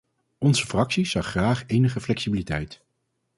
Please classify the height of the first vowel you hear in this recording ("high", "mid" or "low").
mid